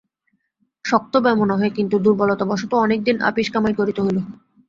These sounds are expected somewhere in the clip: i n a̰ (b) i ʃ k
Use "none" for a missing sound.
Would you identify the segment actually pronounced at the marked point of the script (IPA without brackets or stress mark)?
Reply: p